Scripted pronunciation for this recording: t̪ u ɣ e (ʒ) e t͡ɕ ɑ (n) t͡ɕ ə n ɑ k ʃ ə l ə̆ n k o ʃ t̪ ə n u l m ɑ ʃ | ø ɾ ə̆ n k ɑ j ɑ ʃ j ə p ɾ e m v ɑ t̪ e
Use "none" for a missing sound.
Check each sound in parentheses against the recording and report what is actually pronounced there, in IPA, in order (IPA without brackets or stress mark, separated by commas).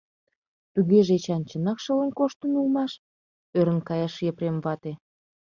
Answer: ʒ, n